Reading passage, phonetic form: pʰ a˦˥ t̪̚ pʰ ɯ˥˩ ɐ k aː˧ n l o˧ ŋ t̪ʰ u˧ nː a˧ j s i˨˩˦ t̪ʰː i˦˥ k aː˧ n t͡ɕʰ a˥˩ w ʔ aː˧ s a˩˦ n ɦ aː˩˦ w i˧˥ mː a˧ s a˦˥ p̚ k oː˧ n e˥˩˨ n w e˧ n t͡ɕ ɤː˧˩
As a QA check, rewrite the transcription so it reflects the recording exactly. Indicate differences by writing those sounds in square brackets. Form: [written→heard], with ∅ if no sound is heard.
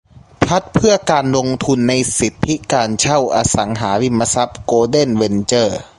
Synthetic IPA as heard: pʰ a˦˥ t̪̚ pʰ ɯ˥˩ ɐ k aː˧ n l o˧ ŋ t̪ʰ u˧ nː a˧ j s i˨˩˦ t̪ʰː i˦˥ k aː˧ n t͡ɕʰ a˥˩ w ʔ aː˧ s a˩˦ [n→ŋ] ɦ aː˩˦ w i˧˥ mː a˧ s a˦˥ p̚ k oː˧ [n→d] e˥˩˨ n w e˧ n t͡ɕ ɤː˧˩